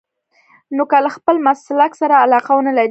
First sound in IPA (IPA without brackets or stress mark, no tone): n